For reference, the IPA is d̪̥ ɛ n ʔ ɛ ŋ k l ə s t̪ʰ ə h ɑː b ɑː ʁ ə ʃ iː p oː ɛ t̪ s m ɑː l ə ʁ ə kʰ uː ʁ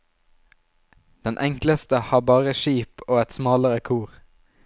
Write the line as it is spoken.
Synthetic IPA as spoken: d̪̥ ɛ n ʔ ɛ ŋ k l ə s t̪ ə h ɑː b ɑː ʁ ə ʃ iː p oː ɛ t̪ s m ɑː l ə ʁ ə kʰ uː ʁ